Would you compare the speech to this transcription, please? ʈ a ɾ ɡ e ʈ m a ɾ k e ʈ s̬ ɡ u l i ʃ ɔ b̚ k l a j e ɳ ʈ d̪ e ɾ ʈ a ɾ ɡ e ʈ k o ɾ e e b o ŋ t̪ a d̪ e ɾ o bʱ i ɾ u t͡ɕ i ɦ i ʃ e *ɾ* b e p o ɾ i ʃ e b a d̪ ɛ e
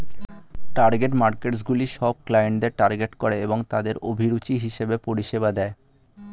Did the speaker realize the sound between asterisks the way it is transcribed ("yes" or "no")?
no